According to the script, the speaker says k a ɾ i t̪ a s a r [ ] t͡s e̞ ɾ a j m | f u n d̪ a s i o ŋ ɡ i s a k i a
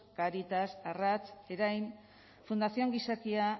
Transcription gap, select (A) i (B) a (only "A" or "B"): B